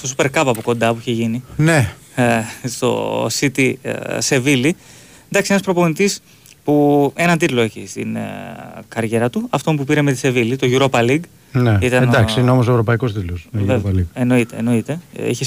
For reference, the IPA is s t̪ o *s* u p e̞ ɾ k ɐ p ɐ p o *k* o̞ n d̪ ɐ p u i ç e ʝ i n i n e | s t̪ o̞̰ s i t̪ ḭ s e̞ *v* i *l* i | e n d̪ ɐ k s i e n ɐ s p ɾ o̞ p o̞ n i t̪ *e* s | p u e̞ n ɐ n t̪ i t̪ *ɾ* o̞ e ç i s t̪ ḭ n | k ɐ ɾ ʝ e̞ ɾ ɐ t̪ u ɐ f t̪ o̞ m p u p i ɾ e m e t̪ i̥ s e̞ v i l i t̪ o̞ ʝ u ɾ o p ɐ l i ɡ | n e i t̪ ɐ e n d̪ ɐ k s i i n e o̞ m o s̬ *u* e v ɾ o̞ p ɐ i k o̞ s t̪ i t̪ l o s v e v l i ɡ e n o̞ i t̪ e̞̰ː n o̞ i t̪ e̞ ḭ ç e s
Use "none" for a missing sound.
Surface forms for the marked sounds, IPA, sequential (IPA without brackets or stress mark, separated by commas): s, k, v, l, i, l, o